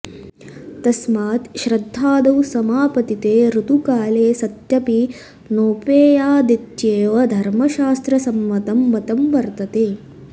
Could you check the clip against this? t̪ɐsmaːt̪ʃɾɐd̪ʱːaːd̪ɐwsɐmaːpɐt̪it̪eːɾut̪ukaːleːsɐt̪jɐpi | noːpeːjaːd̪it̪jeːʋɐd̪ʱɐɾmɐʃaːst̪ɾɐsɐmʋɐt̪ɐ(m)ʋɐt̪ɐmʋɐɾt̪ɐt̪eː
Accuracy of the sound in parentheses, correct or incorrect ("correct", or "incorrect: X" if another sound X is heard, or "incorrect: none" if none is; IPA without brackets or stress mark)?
correct